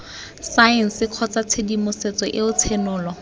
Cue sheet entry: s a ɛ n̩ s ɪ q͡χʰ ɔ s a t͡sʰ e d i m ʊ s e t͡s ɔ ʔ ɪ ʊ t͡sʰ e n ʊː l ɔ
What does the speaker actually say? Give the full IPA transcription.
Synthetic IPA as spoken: s a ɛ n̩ s ɪ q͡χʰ ɔ t͡s a t͡sʰ e d i m ʊ s e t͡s ɔ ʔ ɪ ʊ t͡sʰ e n ʊː l ɔ